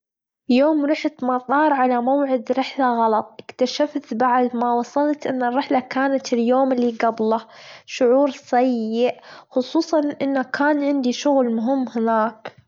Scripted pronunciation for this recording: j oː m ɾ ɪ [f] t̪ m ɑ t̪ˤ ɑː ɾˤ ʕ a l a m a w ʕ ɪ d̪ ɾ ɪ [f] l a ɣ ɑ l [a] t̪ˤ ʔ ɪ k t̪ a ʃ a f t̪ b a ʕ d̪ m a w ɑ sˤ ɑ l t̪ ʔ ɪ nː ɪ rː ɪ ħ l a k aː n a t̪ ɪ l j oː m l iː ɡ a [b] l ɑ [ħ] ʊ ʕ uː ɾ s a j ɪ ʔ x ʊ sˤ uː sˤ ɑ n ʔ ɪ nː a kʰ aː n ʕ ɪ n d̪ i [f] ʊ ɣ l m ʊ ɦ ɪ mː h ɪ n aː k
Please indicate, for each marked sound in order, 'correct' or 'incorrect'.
incorrect: ħ, incorrect: ħ, incorrect: ɑ, correct, incorrect: ʃ, incorrect: ʃ

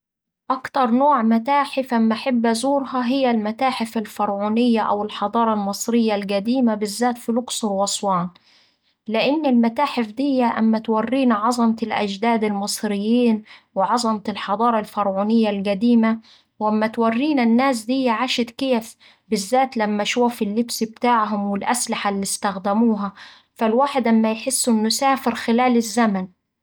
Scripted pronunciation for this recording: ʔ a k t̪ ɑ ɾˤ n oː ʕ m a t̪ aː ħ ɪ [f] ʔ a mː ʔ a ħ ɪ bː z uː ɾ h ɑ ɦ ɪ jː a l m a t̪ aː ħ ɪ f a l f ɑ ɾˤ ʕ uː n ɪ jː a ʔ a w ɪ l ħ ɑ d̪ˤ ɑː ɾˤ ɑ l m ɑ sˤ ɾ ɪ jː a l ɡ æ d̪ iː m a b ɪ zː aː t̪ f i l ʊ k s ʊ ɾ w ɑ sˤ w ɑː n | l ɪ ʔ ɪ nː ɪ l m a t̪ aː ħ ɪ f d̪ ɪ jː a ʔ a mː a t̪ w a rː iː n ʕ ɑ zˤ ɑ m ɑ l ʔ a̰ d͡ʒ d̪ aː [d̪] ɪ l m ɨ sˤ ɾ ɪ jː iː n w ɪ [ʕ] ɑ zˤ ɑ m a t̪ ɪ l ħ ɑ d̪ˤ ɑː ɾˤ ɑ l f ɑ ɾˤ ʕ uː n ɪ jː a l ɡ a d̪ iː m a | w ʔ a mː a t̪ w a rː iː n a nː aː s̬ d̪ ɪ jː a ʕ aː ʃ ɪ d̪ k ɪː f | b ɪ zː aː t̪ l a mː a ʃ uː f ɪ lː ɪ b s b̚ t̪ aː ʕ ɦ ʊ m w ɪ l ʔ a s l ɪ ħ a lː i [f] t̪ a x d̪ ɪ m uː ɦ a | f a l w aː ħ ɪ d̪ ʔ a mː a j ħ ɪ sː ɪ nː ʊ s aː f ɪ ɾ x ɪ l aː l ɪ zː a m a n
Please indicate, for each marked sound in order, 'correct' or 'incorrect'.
correct, correct, correct, incorrect: s

